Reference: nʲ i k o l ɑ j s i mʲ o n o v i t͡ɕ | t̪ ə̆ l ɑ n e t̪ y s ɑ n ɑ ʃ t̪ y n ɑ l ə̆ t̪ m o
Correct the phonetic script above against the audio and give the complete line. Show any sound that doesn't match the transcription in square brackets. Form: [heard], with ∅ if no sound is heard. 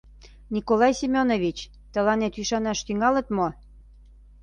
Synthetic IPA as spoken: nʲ i k o l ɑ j s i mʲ o n o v i t͡ɕ | t̪ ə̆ l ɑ n e t̪ y [ʃ] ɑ n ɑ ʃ t̪ y [ŋ] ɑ l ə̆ t̪ m o